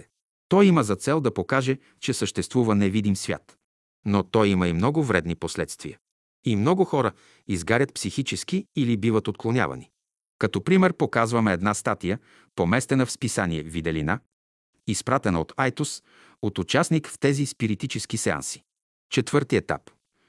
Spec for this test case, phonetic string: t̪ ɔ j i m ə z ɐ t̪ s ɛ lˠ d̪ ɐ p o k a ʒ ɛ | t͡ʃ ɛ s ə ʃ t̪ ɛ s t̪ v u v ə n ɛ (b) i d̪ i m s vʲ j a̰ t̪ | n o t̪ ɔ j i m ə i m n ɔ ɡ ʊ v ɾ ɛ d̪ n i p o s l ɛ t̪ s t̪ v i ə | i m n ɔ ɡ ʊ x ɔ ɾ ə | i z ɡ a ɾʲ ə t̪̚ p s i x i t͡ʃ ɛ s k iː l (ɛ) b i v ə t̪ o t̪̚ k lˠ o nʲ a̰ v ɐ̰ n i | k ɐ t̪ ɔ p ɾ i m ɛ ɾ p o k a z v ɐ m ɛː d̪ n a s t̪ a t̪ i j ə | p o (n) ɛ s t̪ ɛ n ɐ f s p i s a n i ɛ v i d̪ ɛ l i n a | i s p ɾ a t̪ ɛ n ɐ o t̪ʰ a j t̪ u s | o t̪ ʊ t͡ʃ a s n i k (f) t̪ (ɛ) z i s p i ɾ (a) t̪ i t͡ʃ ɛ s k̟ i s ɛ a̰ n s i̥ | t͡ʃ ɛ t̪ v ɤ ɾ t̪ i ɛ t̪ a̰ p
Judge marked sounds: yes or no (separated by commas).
no, no, no, yes, yes, no